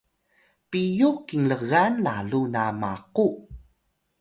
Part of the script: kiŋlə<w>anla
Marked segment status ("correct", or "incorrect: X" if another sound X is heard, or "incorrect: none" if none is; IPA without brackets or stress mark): incorrect: ɣ